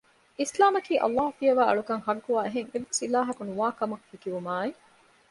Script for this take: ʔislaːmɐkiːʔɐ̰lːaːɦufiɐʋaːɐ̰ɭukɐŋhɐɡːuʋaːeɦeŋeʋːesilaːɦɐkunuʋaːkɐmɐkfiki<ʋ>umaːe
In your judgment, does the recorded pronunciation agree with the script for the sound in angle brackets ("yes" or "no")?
yes